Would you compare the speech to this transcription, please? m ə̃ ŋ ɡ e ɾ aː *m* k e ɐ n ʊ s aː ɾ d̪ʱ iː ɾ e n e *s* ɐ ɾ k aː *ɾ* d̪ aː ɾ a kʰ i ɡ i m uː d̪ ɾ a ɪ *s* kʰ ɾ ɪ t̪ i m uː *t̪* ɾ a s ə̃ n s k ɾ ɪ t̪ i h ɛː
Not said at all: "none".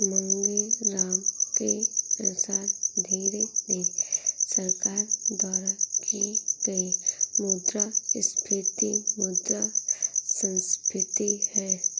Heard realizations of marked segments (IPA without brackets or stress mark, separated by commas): m, s, ɾ, s, d̪